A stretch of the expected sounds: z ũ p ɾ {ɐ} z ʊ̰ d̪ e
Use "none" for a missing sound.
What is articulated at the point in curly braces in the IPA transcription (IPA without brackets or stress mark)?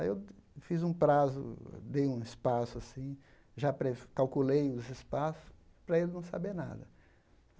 a